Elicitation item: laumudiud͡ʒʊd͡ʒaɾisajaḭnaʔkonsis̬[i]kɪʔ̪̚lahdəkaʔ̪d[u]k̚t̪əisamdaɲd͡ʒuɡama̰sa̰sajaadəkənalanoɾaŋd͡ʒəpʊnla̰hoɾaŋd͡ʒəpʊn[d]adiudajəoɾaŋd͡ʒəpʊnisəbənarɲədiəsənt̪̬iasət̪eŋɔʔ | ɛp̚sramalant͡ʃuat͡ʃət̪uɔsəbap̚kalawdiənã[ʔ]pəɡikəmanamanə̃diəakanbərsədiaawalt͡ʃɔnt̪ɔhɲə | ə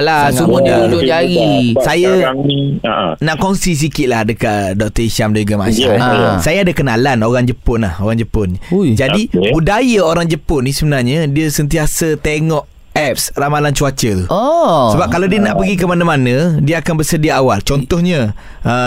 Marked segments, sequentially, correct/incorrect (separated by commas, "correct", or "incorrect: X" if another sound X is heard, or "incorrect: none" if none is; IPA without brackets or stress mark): correct, incorrect: ɔ, incorrect: d͡ʒ, correct